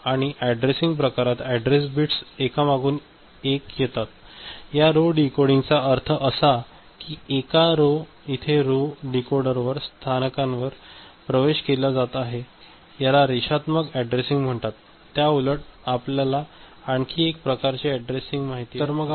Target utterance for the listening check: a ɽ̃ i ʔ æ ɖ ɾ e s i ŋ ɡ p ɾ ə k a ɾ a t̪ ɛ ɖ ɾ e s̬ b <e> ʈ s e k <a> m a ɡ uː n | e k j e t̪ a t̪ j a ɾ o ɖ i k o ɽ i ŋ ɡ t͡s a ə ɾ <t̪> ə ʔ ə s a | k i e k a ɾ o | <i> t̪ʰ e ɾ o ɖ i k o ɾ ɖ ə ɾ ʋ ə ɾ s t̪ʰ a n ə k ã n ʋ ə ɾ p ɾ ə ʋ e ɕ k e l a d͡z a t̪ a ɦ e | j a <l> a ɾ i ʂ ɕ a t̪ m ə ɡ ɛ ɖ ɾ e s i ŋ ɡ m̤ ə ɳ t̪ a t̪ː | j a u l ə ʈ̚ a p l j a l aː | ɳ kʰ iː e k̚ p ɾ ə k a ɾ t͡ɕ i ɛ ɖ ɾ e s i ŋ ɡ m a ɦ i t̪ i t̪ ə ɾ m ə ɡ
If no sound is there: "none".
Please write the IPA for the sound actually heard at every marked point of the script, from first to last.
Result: i, a, t̪ʰ, i, l

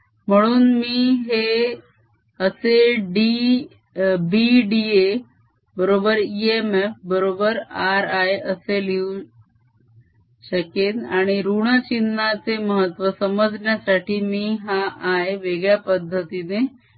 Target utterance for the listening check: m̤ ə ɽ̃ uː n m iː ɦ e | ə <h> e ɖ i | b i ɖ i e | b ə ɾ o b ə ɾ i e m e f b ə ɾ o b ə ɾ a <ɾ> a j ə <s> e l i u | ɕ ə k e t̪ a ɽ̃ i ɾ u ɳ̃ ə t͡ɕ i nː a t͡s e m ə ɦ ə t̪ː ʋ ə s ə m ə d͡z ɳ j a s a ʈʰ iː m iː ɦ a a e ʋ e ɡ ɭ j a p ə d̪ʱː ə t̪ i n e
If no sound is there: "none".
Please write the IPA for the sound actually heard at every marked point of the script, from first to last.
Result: s, ɾ, s

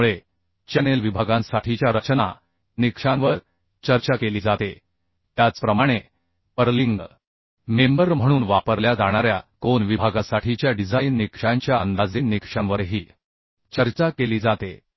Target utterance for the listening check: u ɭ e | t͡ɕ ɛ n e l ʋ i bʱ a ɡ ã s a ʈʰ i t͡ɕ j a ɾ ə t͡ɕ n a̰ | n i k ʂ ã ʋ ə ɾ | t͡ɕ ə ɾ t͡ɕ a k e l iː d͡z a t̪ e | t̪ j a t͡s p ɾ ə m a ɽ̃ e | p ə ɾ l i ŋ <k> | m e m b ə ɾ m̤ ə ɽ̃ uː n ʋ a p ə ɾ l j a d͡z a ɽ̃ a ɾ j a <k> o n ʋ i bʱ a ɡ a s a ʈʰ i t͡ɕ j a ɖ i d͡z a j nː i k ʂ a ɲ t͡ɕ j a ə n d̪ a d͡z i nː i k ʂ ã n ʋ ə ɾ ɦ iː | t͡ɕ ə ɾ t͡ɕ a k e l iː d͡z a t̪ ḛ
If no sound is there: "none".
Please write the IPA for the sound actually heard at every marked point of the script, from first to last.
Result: ɡ, k

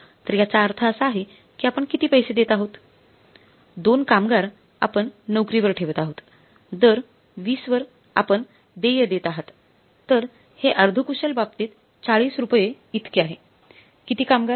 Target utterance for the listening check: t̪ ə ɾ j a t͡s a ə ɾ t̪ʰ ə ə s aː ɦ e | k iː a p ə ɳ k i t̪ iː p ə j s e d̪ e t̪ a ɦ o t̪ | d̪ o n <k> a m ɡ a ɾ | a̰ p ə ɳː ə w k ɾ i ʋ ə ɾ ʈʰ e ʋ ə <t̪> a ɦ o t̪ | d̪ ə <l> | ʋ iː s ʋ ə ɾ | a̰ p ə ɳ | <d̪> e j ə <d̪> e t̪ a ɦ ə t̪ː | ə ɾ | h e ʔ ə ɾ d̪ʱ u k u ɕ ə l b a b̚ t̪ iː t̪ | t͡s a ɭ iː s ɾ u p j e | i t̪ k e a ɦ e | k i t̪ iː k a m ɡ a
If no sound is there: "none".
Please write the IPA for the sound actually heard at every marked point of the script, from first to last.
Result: k, t̪, ɾ, d̪, d̪

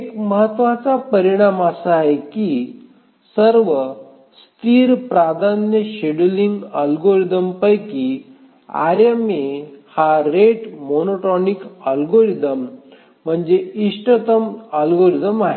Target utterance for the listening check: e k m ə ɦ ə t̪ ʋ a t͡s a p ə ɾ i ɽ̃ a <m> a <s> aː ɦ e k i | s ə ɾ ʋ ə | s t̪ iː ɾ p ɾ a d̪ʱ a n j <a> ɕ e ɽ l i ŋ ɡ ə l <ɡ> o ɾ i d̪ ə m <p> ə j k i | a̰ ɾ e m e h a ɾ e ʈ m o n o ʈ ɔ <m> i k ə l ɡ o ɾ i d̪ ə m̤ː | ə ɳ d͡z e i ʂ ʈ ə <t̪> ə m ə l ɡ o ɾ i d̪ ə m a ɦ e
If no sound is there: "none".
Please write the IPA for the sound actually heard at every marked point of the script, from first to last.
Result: m, s, ə, ɡ, p, n, t̪

